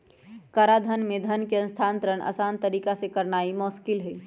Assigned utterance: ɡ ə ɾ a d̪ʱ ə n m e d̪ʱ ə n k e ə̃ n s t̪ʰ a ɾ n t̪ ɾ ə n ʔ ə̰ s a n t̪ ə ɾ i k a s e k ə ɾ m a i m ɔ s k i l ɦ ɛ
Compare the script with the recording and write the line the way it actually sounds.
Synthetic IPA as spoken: k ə ɾ a d̪ʱ ə n m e d̪ʱ ə n k e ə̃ n s t̪ʰ a n t̪ ɾ ə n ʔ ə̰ s a n t̪ ə ɾ i k a s e k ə ɾ n a i m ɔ s k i l ɦ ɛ